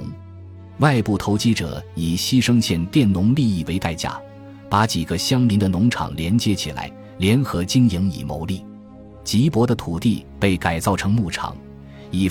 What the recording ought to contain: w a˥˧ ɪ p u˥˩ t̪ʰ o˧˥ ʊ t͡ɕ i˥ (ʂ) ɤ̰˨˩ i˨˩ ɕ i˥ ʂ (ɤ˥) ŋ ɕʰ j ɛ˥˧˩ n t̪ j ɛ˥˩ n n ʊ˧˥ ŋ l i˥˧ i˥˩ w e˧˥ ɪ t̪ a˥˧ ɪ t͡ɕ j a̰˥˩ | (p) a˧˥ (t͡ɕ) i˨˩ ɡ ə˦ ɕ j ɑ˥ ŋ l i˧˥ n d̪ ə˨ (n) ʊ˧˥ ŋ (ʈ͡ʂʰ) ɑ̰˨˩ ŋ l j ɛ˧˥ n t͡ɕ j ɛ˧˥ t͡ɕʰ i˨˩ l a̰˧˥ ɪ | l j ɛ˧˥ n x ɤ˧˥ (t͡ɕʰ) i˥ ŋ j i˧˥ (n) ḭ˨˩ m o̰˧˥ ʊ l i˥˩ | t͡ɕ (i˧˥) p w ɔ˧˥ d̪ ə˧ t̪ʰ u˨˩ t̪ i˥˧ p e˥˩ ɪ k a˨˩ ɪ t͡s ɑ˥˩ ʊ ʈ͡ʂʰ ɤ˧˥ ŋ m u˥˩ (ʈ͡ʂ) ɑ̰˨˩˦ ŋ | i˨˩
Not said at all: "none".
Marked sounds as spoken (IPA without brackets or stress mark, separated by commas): ʈ͡ʂ, ɤ˥, p, t͡ɕ, n, ʈ͡ʂʰ, t͡ɕ, ŋ, i˧˥, ʈ͡ʂʰ